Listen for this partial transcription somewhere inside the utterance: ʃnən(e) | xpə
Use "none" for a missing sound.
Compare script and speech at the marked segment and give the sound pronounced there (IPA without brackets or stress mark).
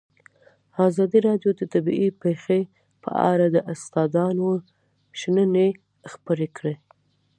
e